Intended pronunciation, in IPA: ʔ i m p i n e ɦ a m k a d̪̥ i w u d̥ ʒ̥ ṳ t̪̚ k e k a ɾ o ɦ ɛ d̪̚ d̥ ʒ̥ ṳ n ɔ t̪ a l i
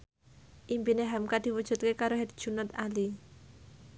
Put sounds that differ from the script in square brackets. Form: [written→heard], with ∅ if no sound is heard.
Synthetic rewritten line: ʔ i m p i n e ɦ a m k a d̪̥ i w u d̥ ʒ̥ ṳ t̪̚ k e k a ɾ o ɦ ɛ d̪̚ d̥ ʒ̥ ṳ n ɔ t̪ a l i

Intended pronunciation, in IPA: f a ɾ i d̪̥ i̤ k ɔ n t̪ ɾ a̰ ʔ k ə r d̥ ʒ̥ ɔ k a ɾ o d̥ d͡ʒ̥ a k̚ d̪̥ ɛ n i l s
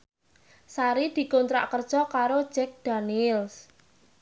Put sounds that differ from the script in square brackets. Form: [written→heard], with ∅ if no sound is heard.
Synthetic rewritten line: [f→s] a ɾ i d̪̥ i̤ k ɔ n t̪ ɾ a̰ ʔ k ə r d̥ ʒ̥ ɔ k a ɾ o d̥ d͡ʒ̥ [a→ɛ] k̚ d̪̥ [ɛ→a] n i l s

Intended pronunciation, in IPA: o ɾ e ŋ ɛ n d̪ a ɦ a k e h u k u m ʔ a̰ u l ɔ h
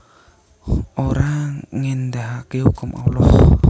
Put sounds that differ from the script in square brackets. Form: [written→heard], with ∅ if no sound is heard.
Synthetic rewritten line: o ɾ [e→a] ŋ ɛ n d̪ a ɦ a k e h u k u m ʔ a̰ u l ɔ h

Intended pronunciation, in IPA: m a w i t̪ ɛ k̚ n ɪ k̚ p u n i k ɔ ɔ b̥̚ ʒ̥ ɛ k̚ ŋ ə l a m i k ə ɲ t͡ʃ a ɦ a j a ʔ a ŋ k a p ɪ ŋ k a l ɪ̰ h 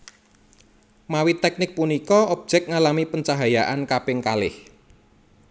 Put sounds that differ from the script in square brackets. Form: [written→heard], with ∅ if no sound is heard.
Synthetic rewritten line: m a w i t̪ ɛ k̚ n ɪ k̚ p u n i k ɔ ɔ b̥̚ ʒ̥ ɛ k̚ ŋ [ə→a] l a m i [k→p] ə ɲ t͡ʃ a ɦ a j a ʔ a [ŋ→n] k a p ɪ ŋ k a l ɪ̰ h

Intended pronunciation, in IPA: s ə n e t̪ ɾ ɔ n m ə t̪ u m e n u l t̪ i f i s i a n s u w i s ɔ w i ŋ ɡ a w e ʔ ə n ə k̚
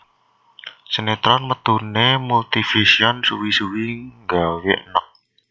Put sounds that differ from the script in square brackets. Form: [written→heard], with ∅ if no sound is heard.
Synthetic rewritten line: s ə n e t̪ ɾ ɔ n m ə t̪ u [m→n] e [n→m] u l t̪ i f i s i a n s u w i s [ɔ→u] w i ŋ ɡ a w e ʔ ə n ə k̚

